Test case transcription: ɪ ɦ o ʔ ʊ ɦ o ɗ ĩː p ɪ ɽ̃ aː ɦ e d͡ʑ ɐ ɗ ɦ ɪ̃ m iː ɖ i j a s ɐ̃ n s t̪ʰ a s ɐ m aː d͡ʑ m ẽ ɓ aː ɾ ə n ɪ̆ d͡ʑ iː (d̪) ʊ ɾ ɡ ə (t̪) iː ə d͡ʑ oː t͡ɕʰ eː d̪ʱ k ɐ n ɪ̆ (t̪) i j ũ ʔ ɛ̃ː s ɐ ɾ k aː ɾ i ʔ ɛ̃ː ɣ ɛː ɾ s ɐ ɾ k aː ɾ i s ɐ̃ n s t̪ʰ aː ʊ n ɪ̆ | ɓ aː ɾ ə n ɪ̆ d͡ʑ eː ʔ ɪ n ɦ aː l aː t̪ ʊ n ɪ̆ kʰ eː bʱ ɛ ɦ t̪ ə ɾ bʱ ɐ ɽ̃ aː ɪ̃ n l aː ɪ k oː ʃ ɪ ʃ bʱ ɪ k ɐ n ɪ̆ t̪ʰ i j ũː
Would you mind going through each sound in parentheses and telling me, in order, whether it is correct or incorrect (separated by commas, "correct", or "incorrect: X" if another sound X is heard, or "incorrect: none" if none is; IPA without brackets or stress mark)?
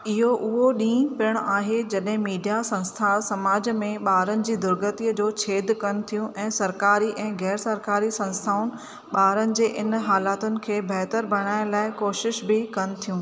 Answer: correct, correct, incorrect: t̪ʰ